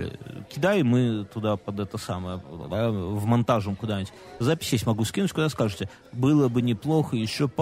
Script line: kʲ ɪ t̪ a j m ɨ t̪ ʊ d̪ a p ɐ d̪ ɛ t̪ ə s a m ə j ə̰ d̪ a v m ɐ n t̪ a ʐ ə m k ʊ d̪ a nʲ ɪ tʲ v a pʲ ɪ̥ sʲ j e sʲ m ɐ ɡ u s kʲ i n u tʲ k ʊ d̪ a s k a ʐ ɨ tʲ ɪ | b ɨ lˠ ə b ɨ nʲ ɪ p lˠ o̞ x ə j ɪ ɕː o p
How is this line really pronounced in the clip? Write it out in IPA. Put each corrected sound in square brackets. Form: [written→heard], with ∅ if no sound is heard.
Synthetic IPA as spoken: kʲ ɪ [t̪→d̪] a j m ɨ t̪ ʊ d̪ a p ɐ d̪ ɛ t̪ ə s a m ə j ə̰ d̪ a v m ɐ n t̪ a ʐ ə m k ʊ d̪ a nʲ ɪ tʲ [v→z] a pʲ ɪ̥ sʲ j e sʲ m ɐ ɡ u s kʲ i n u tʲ k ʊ d̪ a s k a ʐ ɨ tʲ ɪ | b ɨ lˠ ə b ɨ nʲ ɪ p lˠ o̞ x ə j ɪ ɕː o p